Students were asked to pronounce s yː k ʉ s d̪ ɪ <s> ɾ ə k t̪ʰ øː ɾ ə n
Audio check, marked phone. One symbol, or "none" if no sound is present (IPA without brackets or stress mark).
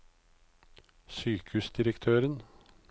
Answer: none